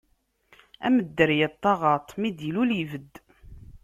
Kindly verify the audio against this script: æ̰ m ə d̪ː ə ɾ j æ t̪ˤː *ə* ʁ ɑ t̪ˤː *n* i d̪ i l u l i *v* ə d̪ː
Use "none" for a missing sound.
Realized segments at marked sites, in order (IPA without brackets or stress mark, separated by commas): ɑ, m, v